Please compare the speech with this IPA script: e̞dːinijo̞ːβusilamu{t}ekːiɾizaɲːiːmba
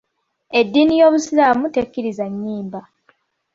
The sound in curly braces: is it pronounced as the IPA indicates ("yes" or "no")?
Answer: yes